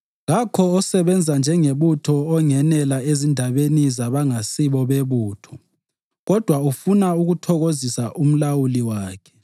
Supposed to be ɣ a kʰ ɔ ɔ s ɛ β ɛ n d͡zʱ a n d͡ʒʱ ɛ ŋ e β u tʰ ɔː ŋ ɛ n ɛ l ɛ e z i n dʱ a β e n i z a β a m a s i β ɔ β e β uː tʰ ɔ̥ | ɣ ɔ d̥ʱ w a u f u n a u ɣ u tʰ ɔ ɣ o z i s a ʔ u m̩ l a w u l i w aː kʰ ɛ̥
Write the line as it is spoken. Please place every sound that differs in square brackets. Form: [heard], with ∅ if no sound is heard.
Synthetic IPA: ɣ a kʰ ɔ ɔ s ɛ β ɛ n d͡zʱ a n d͡ʒʱ ɛ ŋ e β u tʰ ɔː ŋ ɛ n ɛ l [a] e z i n dʱ a β e n i z a β a [ŋ] a s i β ɔ β e β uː tʰ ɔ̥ | ɣ ɔ d̥ʱ w a u f u n a u ɣ u tʰ ɔ ɣ o z i s a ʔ u m̩ l a w u l i w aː kʰ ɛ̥